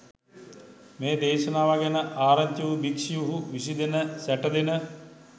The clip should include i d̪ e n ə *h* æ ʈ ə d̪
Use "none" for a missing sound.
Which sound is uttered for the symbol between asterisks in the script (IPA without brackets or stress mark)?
s